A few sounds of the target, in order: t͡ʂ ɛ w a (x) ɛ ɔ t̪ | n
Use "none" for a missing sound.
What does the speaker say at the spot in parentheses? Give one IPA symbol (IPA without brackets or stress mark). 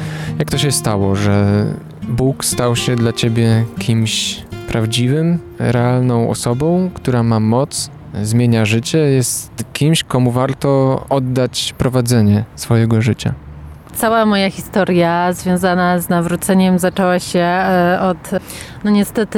ɕ